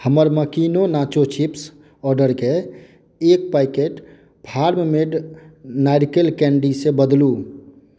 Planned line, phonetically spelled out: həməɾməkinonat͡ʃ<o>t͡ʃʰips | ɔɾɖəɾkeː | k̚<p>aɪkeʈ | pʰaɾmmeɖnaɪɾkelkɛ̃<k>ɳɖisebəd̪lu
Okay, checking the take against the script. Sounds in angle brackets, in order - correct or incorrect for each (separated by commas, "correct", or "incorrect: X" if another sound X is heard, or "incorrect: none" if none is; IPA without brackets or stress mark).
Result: correct, correct, incorrect: none